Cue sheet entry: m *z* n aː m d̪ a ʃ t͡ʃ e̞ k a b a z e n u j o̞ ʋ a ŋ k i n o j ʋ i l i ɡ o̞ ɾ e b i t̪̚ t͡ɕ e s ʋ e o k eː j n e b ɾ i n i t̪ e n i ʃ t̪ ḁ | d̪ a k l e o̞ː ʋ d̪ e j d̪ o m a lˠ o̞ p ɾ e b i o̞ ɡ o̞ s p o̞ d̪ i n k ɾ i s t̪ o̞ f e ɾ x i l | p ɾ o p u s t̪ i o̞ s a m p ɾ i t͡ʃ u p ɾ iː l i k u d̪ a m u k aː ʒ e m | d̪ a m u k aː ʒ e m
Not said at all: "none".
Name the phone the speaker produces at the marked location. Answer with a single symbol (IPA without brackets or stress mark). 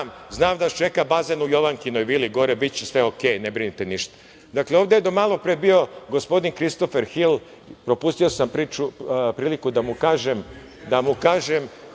z